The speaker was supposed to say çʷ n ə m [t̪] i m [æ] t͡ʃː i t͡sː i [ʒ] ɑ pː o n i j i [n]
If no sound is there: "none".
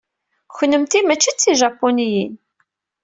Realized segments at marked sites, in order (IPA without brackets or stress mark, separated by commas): t̪, æ, ʒ, n